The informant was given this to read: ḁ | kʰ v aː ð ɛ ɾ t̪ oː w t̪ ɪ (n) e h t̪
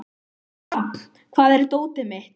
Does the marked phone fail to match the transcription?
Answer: yes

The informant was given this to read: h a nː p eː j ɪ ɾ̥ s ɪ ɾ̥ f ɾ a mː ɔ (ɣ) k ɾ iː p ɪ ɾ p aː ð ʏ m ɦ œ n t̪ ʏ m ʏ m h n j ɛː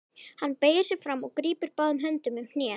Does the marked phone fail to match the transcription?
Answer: no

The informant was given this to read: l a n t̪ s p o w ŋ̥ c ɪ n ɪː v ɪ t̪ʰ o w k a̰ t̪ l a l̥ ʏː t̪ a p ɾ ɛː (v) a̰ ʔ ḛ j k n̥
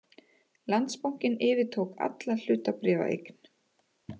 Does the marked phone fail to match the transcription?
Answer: no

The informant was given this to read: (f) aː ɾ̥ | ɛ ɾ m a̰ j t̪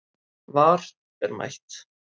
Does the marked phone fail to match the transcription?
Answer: yes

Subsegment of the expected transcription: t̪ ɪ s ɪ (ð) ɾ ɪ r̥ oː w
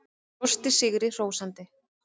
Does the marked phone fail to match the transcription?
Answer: yes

